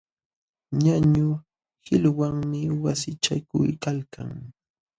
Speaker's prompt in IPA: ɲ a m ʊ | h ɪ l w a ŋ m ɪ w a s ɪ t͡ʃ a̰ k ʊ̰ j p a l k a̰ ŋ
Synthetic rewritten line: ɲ a ɲ ʊ | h ɪ l w a ŋ m ɪ w a s ɪ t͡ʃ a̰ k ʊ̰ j k a l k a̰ ŋ